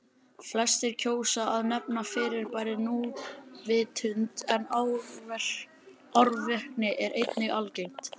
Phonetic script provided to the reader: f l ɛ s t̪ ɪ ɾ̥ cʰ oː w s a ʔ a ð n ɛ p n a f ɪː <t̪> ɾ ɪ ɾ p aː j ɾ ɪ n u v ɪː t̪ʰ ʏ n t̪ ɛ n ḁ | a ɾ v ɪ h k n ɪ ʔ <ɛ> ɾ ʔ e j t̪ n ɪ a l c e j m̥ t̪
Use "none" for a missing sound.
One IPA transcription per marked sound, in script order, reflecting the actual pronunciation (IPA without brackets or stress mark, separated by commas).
none, ɛ